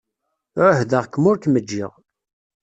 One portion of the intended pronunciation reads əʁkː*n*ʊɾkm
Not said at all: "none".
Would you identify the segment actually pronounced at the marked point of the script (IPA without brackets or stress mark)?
m